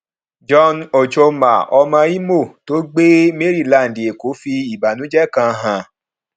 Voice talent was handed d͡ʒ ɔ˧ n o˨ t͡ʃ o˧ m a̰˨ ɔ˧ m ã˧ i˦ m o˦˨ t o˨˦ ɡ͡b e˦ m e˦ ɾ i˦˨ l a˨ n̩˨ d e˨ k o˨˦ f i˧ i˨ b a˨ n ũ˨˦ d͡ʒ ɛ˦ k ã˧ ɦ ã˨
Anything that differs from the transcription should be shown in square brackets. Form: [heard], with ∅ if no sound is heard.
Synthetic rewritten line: d͡ʒ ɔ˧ n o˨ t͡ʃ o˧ m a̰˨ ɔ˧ m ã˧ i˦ m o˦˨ t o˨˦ ɡ͡b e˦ m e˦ ɾ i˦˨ l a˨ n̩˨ d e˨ k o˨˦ f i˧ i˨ b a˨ n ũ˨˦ d͡ʒ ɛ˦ k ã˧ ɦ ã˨